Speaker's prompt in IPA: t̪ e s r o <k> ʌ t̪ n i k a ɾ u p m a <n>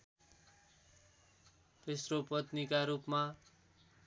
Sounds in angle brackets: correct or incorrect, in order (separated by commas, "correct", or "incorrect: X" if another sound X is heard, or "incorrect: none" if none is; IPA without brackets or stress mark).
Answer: incorrect: p, incorrect: none